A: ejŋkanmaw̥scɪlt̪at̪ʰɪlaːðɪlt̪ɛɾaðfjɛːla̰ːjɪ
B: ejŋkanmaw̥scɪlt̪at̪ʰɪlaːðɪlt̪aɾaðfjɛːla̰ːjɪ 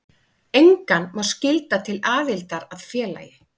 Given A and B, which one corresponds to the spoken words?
B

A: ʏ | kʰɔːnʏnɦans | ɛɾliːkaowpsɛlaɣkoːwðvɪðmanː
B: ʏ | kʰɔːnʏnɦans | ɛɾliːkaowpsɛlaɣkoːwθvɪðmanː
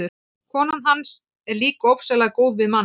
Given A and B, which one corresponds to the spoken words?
A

